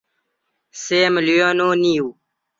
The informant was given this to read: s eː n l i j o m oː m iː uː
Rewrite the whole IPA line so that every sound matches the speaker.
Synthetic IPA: s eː m l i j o n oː n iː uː